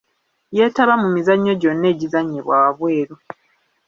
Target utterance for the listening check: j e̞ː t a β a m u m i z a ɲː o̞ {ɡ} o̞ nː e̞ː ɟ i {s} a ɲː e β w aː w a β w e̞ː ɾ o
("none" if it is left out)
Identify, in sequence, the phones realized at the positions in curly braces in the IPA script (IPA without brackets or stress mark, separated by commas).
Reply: ɟ, z